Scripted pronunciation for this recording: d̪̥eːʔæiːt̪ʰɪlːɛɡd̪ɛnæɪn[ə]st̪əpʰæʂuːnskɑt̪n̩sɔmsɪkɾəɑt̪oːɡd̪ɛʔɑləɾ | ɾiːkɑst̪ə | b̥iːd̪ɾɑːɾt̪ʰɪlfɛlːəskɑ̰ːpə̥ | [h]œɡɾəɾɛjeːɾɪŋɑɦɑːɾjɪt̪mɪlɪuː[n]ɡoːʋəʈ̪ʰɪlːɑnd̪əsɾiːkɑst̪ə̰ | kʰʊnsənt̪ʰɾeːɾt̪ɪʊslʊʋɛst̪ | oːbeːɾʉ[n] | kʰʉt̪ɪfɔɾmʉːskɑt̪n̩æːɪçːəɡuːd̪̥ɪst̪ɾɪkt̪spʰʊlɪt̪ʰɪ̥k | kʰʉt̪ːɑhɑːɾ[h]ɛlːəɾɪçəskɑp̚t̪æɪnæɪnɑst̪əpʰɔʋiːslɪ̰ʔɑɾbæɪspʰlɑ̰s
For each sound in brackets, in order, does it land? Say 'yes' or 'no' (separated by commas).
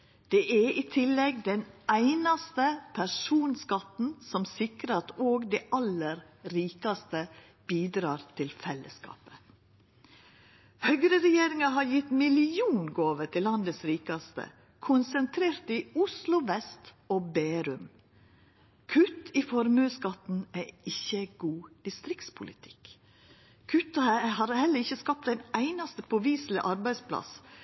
no, yes, yes, no, yes